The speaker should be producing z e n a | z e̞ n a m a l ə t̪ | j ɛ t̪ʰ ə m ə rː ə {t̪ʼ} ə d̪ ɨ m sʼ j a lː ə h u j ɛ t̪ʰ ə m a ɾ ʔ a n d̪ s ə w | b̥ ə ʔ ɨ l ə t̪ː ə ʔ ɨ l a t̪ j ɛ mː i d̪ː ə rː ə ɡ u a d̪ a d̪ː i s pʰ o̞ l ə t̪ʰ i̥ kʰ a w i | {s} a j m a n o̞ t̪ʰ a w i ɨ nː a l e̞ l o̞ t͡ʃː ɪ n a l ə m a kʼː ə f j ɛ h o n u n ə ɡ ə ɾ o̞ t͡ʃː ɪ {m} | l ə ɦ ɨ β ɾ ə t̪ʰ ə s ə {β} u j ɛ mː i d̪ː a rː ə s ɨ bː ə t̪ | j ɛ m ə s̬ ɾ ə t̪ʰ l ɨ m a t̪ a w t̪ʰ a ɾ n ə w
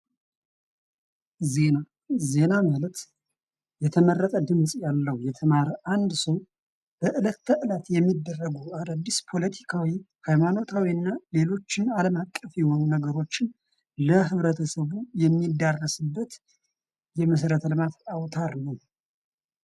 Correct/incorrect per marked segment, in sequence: correct, incorrect, incorrect, correct

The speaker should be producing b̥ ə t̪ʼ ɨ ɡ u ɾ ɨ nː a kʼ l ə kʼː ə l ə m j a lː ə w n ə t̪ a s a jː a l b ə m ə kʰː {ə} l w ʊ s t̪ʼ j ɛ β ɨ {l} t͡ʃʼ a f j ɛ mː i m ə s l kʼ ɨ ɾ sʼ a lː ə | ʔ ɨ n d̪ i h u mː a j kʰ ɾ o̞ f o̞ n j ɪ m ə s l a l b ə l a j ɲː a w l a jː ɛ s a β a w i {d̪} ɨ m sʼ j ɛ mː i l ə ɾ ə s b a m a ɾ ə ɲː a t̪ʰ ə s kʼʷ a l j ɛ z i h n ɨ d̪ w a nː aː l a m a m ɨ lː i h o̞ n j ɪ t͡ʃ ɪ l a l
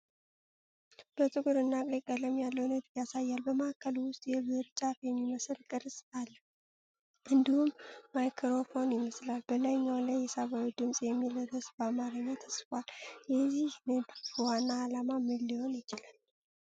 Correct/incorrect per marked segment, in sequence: correct, incorrect, correct

